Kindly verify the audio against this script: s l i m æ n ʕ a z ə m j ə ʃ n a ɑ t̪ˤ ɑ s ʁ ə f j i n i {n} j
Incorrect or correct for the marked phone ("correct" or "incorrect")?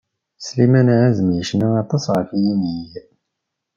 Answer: incorrect